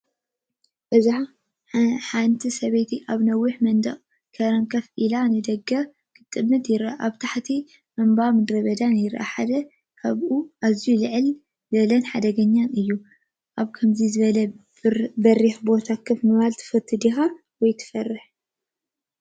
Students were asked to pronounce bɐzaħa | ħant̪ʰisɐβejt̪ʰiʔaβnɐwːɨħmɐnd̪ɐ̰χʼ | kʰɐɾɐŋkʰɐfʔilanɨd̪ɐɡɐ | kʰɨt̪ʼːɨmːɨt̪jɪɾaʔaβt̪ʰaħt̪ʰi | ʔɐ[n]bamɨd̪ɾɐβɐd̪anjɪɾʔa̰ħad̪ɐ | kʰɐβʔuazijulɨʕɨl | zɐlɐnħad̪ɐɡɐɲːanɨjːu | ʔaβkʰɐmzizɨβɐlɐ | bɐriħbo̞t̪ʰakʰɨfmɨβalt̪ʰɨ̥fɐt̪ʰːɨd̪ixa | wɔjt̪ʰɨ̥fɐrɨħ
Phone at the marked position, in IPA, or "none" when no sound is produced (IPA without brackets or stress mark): m